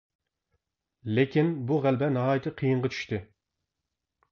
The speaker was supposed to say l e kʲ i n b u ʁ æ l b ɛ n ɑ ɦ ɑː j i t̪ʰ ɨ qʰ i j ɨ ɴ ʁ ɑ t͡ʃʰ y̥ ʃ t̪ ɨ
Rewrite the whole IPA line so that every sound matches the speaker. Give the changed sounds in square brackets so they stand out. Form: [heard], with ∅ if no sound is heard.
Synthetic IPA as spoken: l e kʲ i n b u ʁ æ l b ɛ n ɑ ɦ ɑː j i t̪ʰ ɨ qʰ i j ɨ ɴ ʁ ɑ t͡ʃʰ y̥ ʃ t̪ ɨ

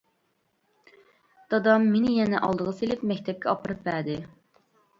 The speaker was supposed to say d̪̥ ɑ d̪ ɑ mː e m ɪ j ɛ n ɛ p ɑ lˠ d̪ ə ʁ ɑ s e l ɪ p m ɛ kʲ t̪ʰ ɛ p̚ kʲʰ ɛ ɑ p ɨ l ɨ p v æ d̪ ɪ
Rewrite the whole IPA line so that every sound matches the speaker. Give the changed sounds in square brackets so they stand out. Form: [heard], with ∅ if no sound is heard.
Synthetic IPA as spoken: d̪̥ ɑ d̪ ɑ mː e [n] ɪ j ɛ n ɛ [ʔ] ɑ lˠ d̪ ə ʁ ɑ s e l ɪ p m ɛ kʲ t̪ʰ ɛ p̚ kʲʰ ɛ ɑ p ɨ [ɾ] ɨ p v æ d̪ ɪ

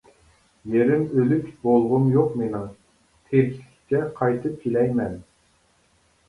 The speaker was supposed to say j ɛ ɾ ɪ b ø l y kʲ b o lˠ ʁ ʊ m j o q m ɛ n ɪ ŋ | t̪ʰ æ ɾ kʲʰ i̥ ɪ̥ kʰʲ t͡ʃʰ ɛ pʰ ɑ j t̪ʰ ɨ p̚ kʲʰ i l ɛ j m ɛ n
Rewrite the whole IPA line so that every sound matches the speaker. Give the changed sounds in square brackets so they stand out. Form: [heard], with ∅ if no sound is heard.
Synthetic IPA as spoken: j [e] ɾ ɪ [m] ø l y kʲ b o lˠ ʁ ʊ m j o q m [e] n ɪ ŋ | t̪ʰ [e] ɾ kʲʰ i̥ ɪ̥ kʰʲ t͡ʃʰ ɛ [qʰ] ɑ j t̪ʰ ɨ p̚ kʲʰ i l ɛ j m ɛ n

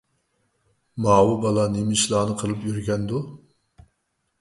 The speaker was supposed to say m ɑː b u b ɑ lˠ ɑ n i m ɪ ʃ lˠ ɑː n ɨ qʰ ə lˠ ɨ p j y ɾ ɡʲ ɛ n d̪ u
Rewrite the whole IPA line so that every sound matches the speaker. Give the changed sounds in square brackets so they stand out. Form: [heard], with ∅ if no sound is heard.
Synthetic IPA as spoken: m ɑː [w] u b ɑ lˠ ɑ n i m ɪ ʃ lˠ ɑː n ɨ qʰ ə lˠ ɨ p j y ɾ ɡʲ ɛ n d̪ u

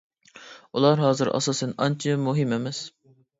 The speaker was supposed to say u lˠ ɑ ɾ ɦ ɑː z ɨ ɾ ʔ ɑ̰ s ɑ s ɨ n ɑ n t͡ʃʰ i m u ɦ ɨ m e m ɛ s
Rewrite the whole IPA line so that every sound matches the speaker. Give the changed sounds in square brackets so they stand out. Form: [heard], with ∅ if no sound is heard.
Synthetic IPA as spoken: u lˠ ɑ ɾ ɦ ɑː z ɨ ɾ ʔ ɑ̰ s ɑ s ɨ n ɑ n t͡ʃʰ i m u ɦ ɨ m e m ɛ s

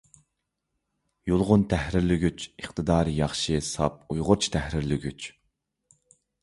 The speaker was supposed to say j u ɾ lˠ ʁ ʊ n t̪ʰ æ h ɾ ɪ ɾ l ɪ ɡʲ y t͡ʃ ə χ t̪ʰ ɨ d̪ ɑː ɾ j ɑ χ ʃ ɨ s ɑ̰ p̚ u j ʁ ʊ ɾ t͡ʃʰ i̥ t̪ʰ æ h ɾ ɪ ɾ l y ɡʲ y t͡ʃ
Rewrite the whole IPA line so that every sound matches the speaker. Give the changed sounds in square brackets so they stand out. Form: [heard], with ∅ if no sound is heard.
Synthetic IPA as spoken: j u [∅] lˠ ʁ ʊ n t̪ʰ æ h ɾ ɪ ɾ l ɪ ɡʲ y t͡ʃ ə χ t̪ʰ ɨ d̪ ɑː ɾ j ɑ χ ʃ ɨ s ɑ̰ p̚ u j ʁ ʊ ɾ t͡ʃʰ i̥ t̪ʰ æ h ɾ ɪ ɾ l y ɡʲ y t͡ʃ

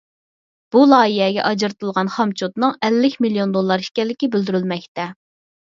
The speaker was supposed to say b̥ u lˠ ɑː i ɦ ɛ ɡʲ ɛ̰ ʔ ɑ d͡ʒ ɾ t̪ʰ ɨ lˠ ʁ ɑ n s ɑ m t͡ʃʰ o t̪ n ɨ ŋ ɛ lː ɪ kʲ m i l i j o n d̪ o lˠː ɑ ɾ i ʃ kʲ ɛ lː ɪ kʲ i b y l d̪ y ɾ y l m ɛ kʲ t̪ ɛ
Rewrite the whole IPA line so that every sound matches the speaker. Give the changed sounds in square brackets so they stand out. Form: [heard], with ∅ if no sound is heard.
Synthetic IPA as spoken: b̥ u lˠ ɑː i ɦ ɛ ɡʲ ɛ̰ ʔ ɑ d͡ʒ ɾ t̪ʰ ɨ lˠ ʁ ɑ n [χ] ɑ m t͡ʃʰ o t̪ n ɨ ŋ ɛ lː ɪ kʲ m i l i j o n d̪ o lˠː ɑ ɾ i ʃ kʲ ɛ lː ɪ kʲ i b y l d̪ y ɾ y l m ɛ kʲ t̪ ɛ

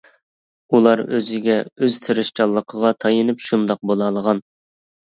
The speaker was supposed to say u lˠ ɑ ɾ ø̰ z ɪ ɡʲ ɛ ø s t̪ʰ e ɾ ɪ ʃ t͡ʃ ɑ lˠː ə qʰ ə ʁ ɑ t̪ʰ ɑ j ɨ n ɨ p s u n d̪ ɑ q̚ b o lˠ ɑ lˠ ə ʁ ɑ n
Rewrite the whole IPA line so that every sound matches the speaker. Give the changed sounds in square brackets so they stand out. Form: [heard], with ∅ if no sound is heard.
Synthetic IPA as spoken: u lˠ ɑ ɾ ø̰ z ɪ ɡʲ ɛ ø [z] t̪ʰ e ɾ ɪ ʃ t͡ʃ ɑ lˠː ə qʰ ə ʁ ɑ t̪ʰ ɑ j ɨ n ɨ p [ʃ] u n d̪ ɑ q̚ b o lˠ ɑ lˠ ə ʁ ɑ n

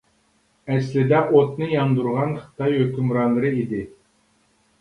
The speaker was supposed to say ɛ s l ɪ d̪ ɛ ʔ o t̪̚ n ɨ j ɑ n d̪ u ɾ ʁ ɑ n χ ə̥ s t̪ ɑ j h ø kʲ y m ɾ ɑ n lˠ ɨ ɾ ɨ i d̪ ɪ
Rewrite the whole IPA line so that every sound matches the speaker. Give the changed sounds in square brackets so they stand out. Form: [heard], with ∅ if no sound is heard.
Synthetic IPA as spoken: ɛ s l ɪ d̪ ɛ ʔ o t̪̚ n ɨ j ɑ n d̪ u ɾ ʁ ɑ n χ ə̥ [∅] t̪ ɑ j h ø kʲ y m ɾ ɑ n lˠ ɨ ɾ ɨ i d̪ ɪ

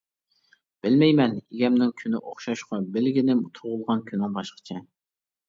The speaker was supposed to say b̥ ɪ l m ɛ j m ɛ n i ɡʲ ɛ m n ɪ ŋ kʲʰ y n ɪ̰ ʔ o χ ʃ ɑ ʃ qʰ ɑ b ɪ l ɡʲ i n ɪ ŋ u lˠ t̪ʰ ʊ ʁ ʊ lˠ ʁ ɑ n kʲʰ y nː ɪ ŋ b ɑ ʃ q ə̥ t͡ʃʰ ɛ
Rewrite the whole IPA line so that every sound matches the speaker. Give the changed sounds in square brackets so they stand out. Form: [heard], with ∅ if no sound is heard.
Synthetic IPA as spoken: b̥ ɪ l m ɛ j m ɛ n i ɡʲ ɛ m n ɪ ŋ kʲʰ y n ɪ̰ ʔ o χ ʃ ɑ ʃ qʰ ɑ b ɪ l ɡʲ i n ɪ [m] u [∅] t̪ʰ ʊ ʁ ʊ lˠ ʁ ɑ n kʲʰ y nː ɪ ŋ b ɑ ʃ q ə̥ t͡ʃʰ ɛ

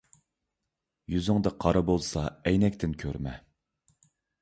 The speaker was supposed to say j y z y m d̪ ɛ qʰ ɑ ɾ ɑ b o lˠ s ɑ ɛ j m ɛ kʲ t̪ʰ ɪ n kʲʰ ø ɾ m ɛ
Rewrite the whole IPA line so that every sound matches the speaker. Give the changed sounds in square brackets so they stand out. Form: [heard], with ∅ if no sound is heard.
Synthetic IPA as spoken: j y z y [ŋ] d̪ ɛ qʰ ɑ ɾ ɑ b o lˠ s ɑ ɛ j [n] ɛ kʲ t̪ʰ ɪ n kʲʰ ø ɾ m ɛ

